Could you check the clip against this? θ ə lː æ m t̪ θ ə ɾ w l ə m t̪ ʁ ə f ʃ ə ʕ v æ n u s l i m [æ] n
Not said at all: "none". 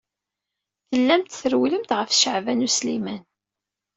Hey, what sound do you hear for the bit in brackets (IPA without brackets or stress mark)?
æ